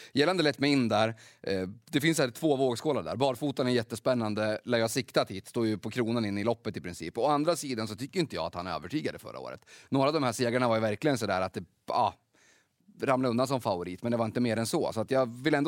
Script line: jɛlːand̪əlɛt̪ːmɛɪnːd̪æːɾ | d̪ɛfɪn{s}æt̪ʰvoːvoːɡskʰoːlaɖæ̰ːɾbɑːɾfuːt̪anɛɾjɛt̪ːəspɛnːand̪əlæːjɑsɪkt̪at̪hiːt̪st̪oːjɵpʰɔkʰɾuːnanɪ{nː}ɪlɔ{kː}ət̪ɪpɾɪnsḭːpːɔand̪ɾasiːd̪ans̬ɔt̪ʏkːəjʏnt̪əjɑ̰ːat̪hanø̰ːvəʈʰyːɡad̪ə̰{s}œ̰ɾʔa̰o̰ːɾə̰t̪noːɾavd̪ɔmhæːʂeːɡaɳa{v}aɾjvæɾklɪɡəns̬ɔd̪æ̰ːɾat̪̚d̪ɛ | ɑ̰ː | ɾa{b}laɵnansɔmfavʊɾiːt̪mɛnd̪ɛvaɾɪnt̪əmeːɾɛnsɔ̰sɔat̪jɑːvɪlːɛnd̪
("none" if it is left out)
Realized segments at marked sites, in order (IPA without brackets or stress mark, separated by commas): s, nː, pː, f, v, m